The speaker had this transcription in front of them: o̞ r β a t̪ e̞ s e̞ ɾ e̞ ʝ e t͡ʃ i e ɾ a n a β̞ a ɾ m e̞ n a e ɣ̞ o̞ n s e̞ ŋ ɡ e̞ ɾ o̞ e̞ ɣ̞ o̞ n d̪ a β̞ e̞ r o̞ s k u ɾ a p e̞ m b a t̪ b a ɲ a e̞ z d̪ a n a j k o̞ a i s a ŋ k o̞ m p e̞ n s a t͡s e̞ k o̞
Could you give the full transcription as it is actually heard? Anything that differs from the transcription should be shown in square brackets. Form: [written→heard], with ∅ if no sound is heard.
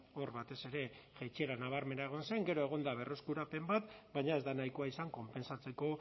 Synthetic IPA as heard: o̞ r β a t̪ e̞ s e̞ ɾ e̞ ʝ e t͡ʃ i e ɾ a n a β̞ a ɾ m e̞ n a e ɣ̞ o̞ n s e̞ ŋ ɡ e̞ ɾ o̞ e̞ ɣ̞ o̞ n d̪ a β̞ e̞ r o̞ s k u ɾ a p e̞ m b a t̪ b a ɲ a e̞ z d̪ a n a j k o̞ a i s a ŋ k o̞ m p e̞ n s a t͡s e̞ k o̞